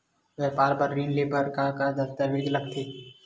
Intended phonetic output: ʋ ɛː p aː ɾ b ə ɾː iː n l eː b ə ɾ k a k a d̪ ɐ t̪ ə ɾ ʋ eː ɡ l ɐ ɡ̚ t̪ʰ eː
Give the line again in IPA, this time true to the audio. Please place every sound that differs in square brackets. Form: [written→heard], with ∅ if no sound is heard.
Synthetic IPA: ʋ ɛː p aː ɾ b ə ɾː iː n l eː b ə ɾ k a k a d̪ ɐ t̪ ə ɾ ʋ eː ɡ l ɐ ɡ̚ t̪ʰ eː